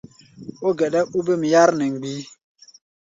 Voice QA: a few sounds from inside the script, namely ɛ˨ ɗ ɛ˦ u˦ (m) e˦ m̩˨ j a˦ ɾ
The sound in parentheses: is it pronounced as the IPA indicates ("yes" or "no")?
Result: no